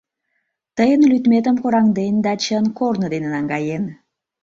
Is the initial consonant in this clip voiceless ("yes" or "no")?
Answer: yes